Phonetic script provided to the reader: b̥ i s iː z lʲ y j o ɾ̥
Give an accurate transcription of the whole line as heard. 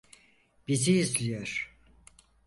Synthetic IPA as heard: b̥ i z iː z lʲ i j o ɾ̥